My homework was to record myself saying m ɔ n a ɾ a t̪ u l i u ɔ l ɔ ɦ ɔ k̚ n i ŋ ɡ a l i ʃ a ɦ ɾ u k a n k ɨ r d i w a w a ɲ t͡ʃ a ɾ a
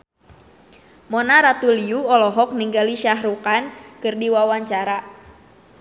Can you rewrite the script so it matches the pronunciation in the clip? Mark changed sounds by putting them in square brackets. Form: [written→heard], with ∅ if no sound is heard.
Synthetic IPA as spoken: m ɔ n a ɾ a t̪ u l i u ɔ l ɔ ɦ ɔ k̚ n i ŋ ɡ a l i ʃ a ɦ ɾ u k a n k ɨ r d i w a w a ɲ t͡ʃ a ɾ a